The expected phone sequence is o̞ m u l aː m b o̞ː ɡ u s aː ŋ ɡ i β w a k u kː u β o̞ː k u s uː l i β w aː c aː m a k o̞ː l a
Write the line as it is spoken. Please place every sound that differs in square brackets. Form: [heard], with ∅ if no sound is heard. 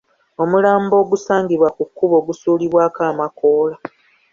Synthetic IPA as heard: o̞ m u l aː m b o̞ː ɡ u s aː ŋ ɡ i β w a k u kː u β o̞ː [ɡ] u s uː l i β w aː [k] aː m a k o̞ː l a